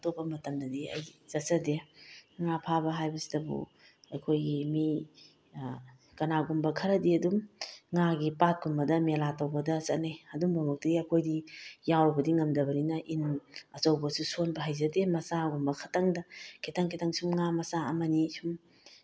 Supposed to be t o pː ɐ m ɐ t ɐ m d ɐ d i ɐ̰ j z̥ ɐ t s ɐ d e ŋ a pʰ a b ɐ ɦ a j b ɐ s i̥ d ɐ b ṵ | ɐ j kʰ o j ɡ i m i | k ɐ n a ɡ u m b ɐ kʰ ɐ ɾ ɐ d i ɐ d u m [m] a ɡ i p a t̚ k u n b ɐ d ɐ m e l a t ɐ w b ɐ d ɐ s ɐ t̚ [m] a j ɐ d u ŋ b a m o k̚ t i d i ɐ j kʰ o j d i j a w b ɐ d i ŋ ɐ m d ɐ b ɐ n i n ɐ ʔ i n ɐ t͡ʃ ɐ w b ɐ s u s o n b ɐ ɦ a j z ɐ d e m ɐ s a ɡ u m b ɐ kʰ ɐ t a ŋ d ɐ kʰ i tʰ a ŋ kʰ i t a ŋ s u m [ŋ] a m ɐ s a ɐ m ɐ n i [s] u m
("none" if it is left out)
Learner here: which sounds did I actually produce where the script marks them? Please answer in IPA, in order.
ŋ, n, ŋ, s

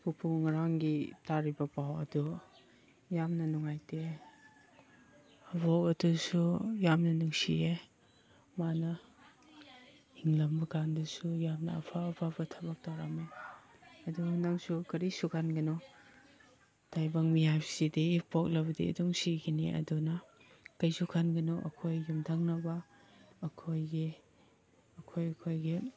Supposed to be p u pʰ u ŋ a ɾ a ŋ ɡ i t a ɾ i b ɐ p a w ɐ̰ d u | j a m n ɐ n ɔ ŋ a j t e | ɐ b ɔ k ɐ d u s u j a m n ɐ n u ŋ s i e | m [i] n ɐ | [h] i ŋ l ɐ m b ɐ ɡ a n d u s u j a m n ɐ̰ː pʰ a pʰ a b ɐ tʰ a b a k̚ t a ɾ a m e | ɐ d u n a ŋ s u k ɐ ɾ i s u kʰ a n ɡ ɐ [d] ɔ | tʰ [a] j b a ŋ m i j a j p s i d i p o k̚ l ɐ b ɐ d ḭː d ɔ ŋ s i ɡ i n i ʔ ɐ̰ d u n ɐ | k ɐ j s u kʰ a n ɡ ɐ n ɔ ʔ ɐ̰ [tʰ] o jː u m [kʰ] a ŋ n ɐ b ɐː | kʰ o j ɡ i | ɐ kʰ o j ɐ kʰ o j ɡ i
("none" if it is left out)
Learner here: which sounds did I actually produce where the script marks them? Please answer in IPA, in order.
a, h, n, a, kʰ, tʰ

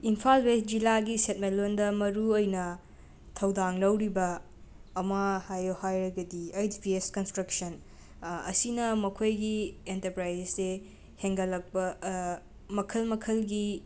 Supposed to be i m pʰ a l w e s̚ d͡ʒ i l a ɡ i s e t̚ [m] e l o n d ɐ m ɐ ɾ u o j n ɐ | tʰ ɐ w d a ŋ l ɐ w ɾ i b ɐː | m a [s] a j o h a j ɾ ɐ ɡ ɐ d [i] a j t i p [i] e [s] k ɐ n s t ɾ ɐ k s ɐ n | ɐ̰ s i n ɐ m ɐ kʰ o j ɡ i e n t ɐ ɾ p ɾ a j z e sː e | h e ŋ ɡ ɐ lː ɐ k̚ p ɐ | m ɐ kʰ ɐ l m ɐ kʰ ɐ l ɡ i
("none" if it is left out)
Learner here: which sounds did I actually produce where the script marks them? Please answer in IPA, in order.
m, h, i, i, s

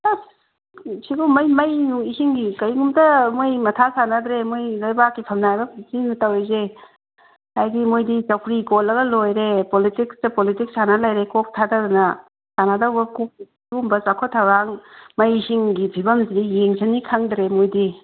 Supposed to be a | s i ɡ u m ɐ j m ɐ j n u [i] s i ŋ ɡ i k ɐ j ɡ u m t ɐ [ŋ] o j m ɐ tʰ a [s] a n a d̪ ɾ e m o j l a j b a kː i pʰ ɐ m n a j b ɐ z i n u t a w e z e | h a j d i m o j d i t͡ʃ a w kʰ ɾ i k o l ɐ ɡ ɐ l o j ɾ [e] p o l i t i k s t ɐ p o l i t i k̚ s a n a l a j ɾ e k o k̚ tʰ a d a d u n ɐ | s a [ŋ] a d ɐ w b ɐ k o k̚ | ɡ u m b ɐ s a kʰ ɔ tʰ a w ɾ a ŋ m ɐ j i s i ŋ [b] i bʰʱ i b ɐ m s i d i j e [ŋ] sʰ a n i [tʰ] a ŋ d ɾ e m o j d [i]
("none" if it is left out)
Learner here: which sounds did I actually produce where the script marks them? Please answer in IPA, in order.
i, m, s, e, n, ɡ, ŋ, kʰ, i

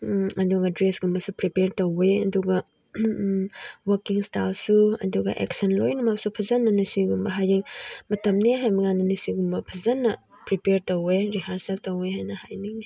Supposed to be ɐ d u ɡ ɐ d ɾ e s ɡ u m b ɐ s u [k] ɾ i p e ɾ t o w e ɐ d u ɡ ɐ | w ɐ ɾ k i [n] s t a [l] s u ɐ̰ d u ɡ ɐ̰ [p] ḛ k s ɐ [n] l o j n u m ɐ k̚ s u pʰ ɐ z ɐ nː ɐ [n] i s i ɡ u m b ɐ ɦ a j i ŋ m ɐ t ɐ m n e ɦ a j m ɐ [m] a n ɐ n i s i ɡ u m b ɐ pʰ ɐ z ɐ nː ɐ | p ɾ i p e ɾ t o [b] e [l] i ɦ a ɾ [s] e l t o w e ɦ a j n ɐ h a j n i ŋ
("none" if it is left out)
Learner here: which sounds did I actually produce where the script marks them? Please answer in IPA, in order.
p, ŋ, l, ʔ, n, n, ŋ, w, ɾ, s

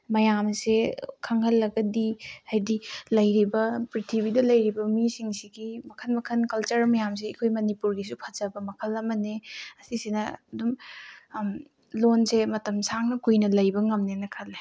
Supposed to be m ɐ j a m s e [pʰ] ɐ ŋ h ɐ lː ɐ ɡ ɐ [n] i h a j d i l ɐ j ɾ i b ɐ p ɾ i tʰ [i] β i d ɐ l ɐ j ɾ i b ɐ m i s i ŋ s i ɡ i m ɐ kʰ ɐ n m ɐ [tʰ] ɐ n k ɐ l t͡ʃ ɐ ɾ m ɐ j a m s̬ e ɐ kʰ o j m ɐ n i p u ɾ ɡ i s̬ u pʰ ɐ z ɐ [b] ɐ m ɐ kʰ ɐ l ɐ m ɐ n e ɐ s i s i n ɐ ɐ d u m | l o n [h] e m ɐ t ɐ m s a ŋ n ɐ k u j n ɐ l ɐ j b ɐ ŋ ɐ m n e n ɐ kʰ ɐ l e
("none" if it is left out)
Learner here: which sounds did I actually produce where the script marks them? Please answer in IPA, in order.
kʰ, d, i, kʰ, b, s

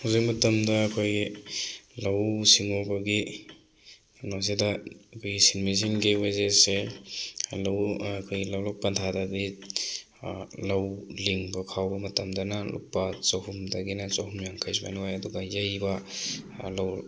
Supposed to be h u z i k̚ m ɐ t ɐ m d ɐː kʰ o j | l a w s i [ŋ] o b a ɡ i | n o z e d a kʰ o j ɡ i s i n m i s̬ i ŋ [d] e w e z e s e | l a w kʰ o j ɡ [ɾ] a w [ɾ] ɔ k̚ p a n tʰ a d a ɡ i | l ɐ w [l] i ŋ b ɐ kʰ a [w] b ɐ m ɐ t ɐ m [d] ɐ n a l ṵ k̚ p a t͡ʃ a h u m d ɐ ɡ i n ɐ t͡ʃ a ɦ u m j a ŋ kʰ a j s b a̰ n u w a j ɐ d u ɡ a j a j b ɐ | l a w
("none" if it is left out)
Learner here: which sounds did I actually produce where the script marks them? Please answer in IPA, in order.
ŋ, ɡ, l, l, l, w, d

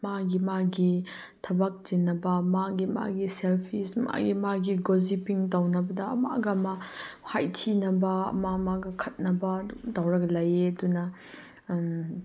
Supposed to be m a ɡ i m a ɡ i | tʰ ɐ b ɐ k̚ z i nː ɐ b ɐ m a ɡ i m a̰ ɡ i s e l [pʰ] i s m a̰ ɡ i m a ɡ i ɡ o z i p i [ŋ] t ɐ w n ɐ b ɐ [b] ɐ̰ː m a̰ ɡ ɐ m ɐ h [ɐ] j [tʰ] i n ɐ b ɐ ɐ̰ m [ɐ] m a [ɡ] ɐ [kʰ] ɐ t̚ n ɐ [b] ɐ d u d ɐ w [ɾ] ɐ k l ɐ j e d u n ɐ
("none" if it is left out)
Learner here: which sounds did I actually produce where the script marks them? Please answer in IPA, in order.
pʰ, ŋ, d, a, tʰ, a, ɡ, kʰ, b, ɾ

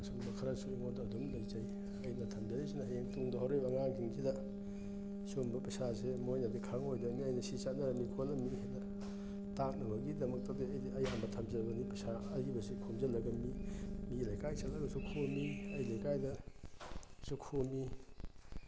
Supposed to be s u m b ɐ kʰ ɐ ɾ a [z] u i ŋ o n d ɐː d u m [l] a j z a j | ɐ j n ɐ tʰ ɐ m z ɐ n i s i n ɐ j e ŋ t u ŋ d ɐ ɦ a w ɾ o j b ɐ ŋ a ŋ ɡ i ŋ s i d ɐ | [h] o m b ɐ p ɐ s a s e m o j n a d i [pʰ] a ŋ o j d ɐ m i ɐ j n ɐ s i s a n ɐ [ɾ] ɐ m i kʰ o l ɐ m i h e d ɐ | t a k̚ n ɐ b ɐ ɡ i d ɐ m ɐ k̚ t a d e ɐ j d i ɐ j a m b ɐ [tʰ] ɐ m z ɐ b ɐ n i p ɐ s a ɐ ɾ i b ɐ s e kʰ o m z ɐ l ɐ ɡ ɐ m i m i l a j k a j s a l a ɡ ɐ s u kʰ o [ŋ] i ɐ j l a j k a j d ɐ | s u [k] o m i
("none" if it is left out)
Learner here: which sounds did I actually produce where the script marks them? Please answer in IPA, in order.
s, l, s, kʰ, ɾ, tʰ, m, kʰ

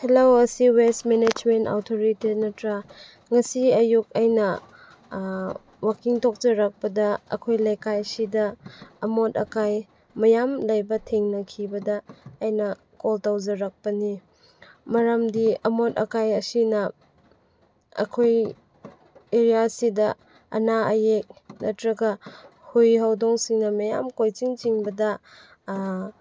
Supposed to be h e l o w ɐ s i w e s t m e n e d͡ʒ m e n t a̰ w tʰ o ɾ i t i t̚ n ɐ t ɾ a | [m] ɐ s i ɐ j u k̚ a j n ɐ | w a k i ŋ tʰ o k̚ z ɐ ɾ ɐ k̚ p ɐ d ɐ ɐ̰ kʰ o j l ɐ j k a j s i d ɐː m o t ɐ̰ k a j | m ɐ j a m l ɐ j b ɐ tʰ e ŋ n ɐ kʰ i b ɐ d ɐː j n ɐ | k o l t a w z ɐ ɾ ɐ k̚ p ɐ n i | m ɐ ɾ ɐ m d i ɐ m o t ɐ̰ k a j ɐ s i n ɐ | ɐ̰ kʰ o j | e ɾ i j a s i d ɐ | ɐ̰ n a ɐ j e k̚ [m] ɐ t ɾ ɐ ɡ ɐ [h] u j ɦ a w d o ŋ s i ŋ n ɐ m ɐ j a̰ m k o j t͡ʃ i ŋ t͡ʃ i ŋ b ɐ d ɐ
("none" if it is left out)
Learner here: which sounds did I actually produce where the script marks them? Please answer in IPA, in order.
ŋ, n, h

